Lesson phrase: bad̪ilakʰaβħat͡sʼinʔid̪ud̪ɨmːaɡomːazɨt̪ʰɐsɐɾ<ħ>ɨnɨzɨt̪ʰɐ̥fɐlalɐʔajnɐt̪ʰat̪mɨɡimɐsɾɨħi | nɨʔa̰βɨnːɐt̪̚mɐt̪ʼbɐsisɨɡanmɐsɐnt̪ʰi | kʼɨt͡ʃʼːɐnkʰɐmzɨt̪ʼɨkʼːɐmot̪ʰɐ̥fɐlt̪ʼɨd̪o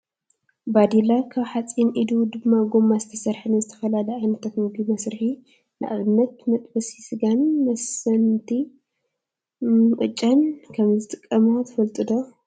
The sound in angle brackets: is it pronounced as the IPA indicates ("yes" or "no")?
yes